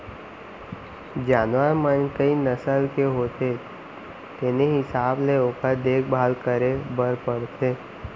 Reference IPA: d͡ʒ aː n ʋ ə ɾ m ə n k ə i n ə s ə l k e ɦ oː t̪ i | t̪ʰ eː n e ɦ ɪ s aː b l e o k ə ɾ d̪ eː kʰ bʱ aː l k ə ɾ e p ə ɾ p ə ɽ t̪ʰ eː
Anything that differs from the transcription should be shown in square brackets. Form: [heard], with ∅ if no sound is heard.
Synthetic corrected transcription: d͡ʒ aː n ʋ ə ɾ m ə n k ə i n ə s ə l k e ɦ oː t̪ [e] | [t̪] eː n e ɦ ɪ s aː b l e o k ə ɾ d̪ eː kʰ bʱ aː l k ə ɾ e [b] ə ɾ p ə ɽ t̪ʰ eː